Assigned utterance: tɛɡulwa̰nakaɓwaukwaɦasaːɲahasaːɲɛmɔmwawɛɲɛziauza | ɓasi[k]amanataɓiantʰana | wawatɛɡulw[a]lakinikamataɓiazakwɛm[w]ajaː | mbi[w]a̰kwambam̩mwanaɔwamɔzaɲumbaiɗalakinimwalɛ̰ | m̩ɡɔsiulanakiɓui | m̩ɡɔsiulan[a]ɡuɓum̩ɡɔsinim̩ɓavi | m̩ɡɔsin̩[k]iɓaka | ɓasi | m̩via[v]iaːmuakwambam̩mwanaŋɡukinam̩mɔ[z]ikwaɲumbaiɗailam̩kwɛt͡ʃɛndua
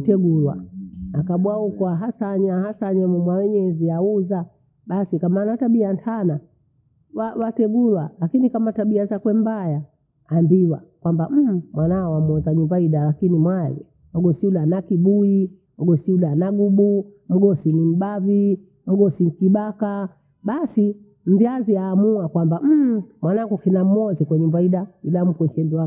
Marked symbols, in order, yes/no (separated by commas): yes, yes, no, yes, yes, yes, no, yes